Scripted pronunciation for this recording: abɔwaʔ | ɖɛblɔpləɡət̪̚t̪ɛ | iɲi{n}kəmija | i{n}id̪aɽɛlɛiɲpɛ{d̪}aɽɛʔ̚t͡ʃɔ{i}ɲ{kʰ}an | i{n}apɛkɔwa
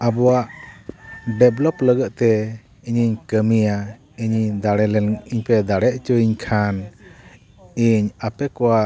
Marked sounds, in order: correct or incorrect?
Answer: incorrect, incorrect, correct, correct, correct, incorrect

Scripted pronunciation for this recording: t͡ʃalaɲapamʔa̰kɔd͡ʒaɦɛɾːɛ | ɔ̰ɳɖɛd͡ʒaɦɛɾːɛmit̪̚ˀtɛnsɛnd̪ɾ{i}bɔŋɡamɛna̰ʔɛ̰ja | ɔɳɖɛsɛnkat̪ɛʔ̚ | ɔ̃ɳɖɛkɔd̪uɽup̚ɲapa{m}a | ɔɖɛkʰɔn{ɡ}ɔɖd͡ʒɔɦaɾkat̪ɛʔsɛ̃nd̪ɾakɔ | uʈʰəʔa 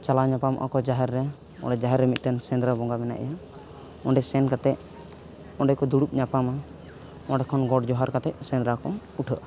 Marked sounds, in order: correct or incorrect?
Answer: incorrect, correct, correct

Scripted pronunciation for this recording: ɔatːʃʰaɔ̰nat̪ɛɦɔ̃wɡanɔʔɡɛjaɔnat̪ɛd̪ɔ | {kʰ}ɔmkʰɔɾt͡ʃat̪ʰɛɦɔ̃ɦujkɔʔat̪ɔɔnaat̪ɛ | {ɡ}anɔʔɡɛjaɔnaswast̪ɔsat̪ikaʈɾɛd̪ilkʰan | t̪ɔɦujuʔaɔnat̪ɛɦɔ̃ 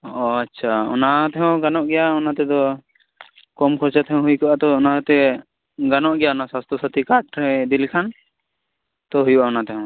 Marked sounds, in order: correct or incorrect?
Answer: incorrect, correct

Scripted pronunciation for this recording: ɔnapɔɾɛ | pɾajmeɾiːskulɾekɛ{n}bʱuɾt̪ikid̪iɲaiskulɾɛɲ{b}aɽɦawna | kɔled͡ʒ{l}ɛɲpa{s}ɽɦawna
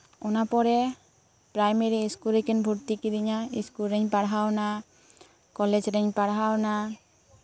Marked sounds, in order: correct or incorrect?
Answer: correct, incorrect, incorrect, incorrect

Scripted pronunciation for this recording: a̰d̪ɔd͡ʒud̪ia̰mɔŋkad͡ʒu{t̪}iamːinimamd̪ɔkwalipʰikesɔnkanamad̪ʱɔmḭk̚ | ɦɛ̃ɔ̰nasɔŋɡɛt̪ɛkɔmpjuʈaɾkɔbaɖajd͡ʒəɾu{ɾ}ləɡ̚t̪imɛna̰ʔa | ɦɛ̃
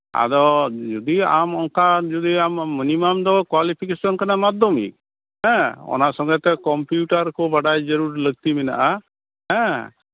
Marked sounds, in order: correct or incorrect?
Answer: incorrect, correct

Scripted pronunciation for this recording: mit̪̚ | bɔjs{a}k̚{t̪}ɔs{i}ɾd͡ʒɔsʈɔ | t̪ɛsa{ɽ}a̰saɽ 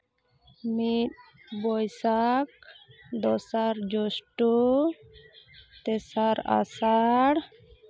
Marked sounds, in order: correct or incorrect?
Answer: correct, incorrect, incorrect, incorrect

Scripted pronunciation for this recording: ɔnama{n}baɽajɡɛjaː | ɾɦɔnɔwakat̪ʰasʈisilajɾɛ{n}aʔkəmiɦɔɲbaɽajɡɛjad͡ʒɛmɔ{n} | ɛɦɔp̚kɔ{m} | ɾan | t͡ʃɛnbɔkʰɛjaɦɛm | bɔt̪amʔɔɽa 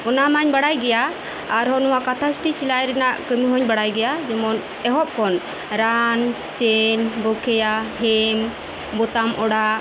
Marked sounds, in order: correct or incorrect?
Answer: incorrect, correct, correct, incorrect

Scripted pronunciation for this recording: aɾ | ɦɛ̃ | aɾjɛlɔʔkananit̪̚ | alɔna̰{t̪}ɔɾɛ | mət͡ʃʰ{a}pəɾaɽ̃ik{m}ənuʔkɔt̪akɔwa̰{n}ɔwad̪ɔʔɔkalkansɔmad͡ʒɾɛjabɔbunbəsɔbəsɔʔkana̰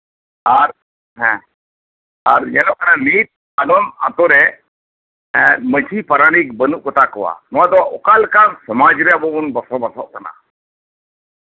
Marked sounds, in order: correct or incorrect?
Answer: correct, incorrect, incorrect, correct

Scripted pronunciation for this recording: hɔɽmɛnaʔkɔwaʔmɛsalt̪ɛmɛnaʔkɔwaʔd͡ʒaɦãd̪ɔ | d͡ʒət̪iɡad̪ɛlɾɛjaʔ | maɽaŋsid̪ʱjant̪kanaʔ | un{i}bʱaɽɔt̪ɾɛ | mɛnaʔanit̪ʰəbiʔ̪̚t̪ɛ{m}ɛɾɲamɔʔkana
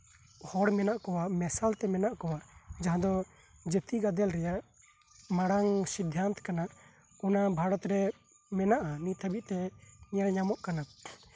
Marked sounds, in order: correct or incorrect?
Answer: incorrect, incorrect

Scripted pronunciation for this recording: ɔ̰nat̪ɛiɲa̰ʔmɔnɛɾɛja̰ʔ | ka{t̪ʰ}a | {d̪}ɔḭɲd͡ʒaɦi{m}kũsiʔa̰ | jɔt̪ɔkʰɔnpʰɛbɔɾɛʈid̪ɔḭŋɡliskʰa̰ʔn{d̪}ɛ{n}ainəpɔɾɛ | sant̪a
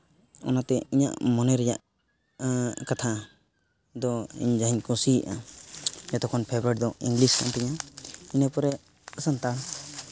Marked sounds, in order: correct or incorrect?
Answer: correct, correct, incorrect, incorrect, incorrect

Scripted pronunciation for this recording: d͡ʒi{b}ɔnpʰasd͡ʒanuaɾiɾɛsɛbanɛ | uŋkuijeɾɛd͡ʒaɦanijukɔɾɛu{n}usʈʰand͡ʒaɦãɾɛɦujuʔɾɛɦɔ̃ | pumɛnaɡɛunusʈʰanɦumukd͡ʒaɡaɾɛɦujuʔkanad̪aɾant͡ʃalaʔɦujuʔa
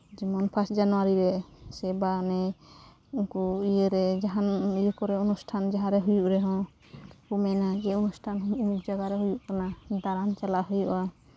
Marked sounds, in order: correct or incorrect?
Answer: incorrect, correct

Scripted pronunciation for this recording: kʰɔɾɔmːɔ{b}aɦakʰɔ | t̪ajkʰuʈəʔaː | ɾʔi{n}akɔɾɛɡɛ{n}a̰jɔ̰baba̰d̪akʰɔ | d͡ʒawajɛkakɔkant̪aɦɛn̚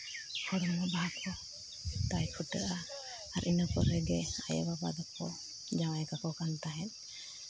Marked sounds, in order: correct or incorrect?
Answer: correct, correct, incorrect

